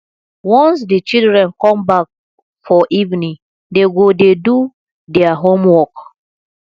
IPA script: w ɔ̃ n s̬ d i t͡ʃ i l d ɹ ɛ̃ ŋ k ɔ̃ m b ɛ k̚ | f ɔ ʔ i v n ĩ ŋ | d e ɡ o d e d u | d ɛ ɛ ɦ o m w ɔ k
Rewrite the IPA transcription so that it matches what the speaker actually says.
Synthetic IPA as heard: w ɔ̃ n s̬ d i t͡ʃ i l d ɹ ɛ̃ n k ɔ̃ m b a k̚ | f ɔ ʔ i v n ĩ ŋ | d e ɡ o d e d u | d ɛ a ɦ o m w ɔ k